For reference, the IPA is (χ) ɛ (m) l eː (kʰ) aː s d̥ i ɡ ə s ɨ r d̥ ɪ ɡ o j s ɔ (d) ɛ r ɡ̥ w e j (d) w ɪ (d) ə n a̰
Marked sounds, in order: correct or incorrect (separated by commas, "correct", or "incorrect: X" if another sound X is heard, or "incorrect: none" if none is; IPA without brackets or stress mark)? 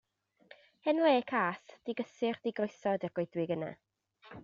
incorrect: h, incorrect: n, correct, correct, correct, incorrect: ɡ